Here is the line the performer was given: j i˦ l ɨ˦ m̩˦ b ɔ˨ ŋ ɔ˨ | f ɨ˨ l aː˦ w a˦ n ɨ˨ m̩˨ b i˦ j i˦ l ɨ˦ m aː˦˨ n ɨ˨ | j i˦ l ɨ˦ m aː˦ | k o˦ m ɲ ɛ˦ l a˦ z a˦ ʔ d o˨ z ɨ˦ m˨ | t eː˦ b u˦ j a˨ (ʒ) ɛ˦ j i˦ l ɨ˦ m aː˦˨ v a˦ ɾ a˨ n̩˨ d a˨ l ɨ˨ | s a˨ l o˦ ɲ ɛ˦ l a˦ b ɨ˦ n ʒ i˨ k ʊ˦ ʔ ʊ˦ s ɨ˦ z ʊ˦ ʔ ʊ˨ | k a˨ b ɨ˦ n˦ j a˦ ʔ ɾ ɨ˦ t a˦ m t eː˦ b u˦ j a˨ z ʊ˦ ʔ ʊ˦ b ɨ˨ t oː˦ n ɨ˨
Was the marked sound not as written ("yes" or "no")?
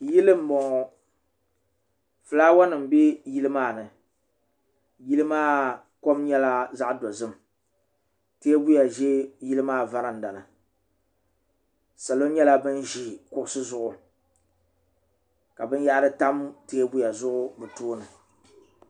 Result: no